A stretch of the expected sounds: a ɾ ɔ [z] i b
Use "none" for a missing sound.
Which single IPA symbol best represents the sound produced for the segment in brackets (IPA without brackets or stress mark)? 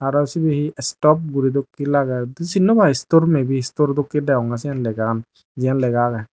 s